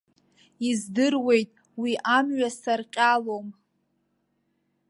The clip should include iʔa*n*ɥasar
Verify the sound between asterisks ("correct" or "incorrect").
incorrect